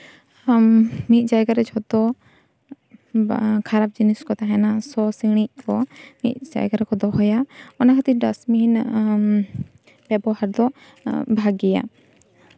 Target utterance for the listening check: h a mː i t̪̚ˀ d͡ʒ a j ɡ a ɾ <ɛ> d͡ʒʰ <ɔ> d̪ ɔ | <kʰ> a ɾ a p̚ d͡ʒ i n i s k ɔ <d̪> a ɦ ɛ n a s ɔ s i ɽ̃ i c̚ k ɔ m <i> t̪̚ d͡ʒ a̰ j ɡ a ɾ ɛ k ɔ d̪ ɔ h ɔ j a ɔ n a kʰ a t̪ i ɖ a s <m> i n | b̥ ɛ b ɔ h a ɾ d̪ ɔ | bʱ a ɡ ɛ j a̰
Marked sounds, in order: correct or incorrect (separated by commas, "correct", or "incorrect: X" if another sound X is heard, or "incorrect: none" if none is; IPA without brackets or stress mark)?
correct, correct, correct, incorrect: t̪, correct, correct